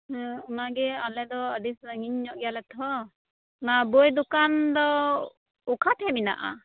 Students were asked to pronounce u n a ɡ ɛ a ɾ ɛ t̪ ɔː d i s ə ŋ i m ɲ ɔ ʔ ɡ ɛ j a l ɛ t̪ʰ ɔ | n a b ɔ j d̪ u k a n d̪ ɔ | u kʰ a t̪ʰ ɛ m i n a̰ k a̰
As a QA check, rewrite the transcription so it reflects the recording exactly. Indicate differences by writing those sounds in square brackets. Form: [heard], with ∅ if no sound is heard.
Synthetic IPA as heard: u n a ɡ ɛ a [l] ɛ [d̪] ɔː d i s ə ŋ i [ɲ] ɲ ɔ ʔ ɡ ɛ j a l ɛ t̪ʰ ɔ | n a b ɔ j d̪ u k a n d̪ ɔ | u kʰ a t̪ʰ ɛ m i n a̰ [ʔ] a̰